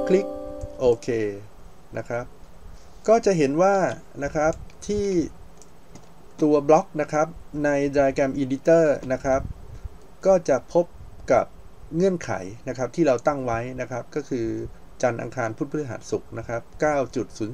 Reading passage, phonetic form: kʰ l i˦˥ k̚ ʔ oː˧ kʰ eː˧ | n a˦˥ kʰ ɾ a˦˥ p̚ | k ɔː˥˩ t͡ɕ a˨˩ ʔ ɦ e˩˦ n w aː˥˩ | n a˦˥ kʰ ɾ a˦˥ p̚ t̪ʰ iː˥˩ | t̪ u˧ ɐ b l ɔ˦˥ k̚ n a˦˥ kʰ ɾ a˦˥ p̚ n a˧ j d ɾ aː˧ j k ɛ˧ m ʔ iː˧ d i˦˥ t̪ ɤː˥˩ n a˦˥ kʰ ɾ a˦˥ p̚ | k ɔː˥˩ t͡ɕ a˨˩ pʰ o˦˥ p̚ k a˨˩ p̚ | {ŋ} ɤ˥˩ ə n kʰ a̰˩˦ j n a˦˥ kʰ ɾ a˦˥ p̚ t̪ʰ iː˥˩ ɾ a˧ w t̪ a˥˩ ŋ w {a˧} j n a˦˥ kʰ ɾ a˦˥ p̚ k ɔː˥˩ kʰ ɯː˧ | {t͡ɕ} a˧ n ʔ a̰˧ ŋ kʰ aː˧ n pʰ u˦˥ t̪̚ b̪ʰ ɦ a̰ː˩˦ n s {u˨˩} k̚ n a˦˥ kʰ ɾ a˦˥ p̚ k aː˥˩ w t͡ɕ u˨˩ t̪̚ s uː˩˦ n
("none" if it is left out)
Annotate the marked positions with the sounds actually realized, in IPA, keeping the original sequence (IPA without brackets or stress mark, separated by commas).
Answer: ŋ, a˦˥, t͡ɕ, u˨˩